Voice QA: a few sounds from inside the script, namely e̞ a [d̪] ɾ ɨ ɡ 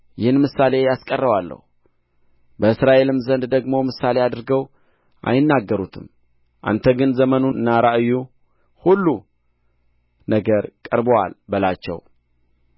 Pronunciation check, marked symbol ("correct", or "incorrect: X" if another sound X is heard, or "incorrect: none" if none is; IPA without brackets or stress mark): correct